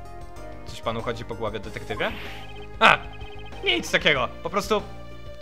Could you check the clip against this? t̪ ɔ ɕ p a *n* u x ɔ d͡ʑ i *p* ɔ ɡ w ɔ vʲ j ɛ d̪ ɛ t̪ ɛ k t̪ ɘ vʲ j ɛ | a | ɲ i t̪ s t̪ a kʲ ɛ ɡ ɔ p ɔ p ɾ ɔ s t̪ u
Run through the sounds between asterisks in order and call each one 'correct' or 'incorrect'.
correct, correct

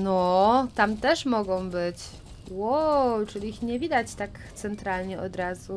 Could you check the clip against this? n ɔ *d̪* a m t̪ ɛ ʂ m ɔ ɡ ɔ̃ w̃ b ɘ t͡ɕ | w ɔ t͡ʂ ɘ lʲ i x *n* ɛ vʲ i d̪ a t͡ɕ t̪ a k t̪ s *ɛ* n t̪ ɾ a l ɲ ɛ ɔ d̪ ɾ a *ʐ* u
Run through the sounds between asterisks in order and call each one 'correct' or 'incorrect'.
incorrect: t̪, incorrect: ɲ, correct, incorrect: z

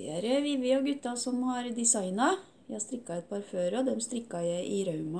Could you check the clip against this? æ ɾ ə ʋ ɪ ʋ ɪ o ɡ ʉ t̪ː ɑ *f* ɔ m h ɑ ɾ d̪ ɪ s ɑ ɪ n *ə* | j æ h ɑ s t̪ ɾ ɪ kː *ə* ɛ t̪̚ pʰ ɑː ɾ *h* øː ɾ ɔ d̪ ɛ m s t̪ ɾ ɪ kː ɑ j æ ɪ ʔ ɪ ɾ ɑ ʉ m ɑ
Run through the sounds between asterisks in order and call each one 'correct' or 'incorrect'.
incorrect: s, incorrect: ɑ, incorrect: ɑ, incorrect: f

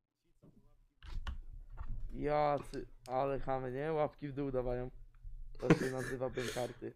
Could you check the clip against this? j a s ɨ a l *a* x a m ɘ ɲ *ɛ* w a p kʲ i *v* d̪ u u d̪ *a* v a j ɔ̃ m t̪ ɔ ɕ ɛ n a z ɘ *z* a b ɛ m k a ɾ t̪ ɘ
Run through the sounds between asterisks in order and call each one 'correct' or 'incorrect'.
incorrect: ɛ, correct, correct, correct, incorrect: v

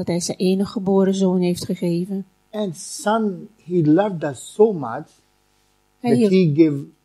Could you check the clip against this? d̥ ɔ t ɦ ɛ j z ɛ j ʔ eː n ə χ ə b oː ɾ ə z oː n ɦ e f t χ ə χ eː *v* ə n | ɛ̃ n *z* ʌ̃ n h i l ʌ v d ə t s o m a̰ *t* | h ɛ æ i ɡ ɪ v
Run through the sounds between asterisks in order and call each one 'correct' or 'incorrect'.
correct, incorrect: s, incorrect: t͡ʃ

